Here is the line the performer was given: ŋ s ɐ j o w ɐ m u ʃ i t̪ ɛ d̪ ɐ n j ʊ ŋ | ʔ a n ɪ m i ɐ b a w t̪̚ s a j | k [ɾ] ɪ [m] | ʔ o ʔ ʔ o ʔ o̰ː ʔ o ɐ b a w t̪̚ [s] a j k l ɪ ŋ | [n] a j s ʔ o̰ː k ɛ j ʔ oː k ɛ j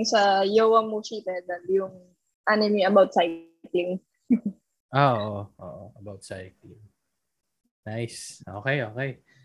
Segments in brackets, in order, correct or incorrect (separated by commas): incorrect, incorrect, correct, correct